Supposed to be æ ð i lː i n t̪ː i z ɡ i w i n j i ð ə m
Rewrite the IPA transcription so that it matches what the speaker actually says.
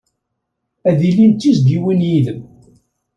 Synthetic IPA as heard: æ ð i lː i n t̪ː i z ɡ i w i n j i ð ə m